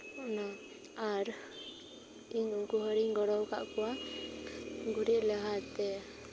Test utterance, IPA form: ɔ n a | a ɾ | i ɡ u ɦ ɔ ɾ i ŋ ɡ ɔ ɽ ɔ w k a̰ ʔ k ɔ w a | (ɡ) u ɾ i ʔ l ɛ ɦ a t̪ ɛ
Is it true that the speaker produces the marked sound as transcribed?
yes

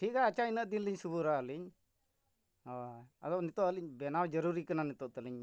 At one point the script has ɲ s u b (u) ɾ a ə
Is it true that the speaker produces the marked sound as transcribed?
yes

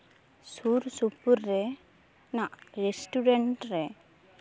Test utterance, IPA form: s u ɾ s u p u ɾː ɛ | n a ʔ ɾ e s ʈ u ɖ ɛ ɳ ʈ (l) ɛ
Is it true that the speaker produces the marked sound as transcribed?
no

